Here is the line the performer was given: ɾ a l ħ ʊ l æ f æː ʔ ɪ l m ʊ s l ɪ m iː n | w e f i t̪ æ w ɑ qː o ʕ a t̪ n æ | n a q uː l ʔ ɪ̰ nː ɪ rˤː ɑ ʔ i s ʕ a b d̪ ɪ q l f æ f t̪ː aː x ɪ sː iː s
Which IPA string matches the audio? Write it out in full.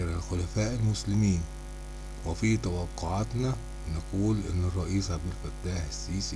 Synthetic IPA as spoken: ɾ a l x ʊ l æ f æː ʔ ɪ l m ʊ s l ɪ m iː n | w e f i t̪ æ w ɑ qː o ʕ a t̪ n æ | n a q uː l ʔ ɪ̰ nː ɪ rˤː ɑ ʔ iː s ʕ a b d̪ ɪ l f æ t̪ː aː ħ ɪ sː iː s